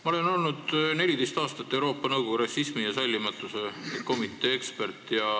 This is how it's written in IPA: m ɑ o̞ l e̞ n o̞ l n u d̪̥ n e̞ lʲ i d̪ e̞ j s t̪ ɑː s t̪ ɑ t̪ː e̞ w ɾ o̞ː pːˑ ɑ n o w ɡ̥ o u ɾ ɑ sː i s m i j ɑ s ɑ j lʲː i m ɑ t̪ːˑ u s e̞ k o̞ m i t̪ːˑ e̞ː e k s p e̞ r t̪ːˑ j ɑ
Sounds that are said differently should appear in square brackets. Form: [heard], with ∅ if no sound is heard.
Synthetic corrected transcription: m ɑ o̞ l e̞ n o̞ l n u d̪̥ n e̞ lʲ i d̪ e̞ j s t̪ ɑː s t̪ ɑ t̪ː e̞ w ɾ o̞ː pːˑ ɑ n [ɤ] w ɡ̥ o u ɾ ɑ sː i s m i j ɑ s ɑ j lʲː i m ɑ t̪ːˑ u s e̞ k o̞ m i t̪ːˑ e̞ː e k s p e̞ r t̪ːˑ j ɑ